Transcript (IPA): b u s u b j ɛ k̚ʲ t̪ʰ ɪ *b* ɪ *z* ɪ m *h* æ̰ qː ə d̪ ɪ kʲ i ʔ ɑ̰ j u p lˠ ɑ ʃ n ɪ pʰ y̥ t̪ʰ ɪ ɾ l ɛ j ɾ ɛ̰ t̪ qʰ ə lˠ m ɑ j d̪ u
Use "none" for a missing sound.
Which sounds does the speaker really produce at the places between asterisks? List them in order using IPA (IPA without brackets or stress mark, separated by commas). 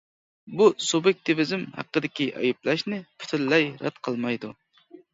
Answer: v, z, h